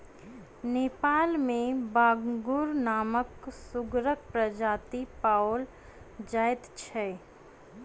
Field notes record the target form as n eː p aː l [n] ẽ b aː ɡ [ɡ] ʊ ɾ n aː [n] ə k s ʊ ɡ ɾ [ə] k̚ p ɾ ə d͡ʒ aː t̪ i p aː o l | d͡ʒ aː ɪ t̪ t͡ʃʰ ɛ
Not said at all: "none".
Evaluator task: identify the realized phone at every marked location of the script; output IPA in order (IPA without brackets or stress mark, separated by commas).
m, ɡ, m, ə